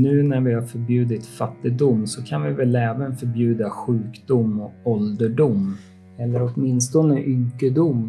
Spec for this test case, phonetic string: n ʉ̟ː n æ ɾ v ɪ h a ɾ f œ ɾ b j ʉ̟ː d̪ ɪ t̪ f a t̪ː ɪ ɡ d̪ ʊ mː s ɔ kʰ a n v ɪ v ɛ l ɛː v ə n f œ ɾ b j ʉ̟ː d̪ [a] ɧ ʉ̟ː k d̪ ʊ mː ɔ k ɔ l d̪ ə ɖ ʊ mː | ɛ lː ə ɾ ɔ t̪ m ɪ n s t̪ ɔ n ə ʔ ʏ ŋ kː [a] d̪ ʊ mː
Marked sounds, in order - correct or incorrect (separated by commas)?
correct, incorrect